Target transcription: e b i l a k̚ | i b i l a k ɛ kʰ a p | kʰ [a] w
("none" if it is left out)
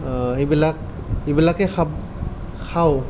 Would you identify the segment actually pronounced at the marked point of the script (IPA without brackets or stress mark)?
a